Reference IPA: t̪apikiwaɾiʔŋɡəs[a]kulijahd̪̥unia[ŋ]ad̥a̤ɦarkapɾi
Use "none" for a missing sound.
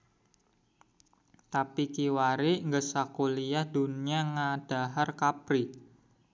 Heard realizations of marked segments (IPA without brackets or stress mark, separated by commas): a, ŋ